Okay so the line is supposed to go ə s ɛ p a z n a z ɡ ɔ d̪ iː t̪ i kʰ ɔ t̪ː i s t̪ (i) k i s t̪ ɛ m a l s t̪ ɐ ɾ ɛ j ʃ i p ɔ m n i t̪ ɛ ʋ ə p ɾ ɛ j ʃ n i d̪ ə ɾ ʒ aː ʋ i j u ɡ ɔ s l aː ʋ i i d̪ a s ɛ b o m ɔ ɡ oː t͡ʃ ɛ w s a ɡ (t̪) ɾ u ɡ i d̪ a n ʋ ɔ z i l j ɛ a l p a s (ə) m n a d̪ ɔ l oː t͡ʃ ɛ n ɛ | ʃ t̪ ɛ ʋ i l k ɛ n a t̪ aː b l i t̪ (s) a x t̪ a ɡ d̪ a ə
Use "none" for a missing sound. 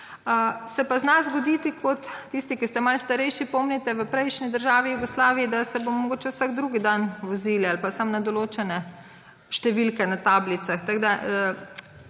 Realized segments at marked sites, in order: i, d̪, a, s

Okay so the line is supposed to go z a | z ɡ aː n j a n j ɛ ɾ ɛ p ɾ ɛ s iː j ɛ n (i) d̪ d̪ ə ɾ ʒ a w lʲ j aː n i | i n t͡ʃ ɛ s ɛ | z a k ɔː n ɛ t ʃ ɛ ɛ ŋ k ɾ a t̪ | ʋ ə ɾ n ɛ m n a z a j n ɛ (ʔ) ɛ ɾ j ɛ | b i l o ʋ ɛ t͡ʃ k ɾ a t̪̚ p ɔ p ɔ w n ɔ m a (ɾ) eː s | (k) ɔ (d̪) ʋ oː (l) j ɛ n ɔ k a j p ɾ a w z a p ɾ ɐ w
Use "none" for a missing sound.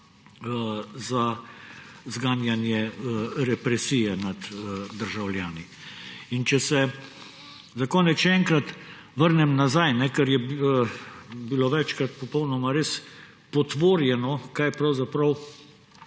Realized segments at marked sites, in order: a, k, ɾ, p, t̪, ɾ

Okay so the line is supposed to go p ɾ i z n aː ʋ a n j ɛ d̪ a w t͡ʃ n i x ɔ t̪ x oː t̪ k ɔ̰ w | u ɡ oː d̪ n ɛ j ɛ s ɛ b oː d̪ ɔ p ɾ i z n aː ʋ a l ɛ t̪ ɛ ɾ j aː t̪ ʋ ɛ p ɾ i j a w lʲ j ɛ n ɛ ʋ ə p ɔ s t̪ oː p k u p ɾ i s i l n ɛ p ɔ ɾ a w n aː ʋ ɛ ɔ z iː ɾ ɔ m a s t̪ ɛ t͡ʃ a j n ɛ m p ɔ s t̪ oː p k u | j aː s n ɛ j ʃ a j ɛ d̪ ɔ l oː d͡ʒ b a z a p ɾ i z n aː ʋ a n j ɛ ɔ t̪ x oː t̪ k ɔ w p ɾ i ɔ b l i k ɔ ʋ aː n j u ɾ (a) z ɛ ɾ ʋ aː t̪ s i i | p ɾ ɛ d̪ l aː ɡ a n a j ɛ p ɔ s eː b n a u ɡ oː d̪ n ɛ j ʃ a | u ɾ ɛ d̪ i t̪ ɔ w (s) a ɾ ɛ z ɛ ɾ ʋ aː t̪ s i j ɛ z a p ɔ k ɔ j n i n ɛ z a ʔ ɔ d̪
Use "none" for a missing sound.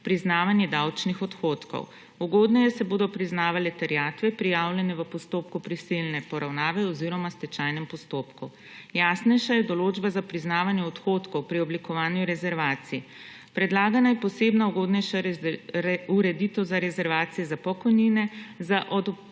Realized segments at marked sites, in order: ɛ, z

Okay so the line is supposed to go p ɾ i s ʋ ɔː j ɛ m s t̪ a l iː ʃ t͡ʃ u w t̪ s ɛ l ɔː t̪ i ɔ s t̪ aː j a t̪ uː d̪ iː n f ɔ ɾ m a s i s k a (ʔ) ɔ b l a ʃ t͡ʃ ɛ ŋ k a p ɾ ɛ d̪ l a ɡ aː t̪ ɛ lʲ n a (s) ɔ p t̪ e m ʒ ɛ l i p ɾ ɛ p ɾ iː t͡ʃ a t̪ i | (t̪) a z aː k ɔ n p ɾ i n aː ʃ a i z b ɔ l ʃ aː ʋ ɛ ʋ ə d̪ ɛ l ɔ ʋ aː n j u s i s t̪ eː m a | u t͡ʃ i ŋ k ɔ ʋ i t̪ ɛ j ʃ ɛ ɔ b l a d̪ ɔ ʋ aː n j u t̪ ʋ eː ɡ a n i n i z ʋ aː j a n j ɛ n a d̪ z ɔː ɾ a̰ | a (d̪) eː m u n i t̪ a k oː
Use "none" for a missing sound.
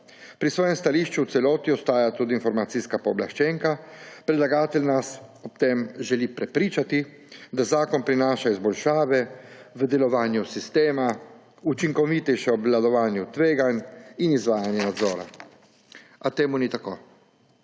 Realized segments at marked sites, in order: p, s, d̪, t̪

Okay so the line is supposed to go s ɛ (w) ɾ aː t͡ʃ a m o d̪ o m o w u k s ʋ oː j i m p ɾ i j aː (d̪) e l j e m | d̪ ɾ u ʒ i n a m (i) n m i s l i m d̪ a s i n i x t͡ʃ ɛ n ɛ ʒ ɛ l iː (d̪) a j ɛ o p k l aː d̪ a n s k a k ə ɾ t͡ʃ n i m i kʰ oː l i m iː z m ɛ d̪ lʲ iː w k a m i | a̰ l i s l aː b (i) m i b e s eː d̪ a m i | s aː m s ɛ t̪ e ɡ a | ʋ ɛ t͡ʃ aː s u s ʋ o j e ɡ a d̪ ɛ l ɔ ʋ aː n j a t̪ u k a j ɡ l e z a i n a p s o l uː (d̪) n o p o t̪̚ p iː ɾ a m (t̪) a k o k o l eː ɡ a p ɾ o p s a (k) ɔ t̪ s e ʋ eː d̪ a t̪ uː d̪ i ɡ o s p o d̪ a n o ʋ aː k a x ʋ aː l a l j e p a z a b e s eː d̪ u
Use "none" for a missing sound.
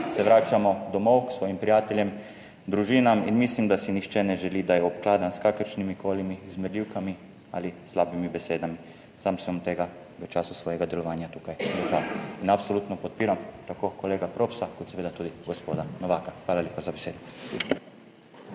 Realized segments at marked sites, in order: ʋ, t̪, i, d̪, i, t̪, t̪, k

